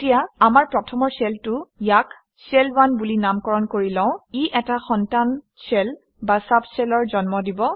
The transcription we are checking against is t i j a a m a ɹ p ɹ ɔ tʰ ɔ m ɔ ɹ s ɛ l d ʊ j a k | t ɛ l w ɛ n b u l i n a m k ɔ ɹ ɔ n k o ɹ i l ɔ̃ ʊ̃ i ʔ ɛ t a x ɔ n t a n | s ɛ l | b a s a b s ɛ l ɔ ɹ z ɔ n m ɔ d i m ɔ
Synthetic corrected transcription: t i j a a m a ɹ p ɹ ɔ tʰ ɔ m ɔ ɹ s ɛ l t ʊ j a k | s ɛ l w a n b u l i n a m k ɔ ɹ ɔ n k o ɹ i l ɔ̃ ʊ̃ i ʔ ɛ t a x ɔ n t a n | s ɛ l | b a s a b s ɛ l ɔ ɹ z ɔ n m ɔ d i b ɔ